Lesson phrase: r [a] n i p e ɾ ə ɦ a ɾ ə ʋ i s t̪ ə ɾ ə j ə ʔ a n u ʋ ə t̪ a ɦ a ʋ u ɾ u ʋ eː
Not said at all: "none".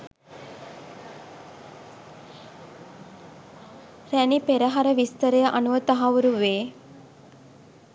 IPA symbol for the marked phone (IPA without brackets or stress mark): æ